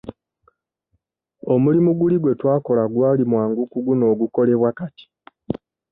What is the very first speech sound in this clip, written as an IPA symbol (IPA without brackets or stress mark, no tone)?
o̞